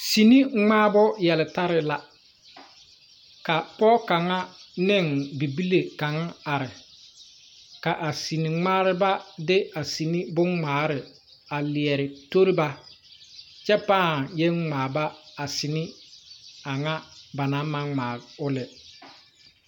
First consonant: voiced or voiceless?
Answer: voiceless